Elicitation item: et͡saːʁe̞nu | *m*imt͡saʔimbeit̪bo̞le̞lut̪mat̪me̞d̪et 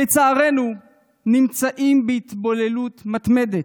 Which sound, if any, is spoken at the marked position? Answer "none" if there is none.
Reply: n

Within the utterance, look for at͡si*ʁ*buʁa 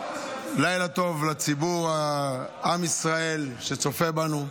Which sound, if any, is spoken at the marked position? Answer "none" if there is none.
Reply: none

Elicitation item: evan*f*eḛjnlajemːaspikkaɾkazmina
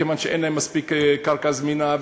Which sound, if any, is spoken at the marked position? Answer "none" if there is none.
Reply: ʃ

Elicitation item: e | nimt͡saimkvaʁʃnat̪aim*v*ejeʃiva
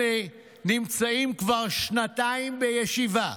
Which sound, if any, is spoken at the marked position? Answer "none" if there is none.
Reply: b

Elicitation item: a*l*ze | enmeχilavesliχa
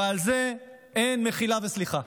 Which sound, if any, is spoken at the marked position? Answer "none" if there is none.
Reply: l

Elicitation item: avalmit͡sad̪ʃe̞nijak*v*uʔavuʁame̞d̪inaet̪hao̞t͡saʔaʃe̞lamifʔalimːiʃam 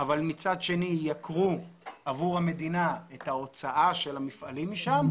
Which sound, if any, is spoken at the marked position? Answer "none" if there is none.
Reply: ʁ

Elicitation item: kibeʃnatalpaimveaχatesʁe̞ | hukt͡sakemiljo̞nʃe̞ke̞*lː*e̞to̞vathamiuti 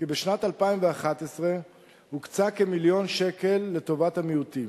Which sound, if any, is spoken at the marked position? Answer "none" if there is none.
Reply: lː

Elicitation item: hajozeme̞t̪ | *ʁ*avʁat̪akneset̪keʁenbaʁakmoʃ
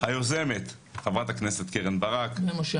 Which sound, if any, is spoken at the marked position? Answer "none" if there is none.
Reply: χ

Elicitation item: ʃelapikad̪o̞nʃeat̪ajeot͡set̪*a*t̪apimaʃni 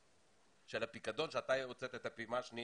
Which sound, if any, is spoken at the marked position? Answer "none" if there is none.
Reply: e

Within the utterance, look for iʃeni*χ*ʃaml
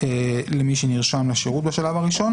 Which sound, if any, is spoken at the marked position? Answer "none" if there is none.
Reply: ʁ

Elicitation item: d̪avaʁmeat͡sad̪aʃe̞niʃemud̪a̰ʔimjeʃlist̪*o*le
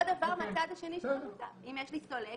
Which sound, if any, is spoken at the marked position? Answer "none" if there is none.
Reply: o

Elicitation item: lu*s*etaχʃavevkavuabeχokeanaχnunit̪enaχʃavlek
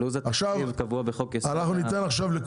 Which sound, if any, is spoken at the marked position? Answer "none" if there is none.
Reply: z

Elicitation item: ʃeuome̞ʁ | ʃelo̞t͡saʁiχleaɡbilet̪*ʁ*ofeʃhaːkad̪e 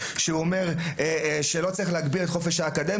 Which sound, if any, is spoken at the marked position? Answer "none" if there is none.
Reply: χ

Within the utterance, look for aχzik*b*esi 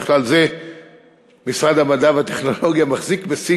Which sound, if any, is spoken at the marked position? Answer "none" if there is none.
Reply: b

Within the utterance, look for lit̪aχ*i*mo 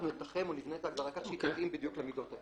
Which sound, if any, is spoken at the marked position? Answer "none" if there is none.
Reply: e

